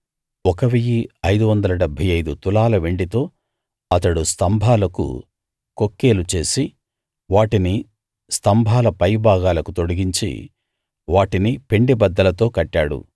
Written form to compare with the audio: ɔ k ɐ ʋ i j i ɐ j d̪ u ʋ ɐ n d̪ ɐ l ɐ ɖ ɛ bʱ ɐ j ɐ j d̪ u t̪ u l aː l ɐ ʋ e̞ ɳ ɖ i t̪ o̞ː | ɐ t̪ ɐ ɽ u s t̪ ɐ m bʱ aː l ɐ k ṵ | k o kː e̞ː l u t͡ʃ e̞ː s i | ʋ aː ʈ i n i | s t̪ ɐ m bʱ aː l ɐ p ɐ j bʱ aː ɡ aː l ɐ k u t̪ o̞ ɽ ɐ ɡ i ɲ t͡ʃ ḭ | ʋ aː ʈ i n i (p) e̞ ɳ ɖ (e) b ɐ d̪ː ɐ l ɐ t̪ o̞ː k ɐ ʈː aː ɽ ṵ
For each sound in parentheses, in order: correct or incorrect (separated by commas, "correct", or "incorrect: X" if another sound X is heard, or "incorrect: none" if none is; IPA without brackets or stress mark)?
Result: correct, incorrect: i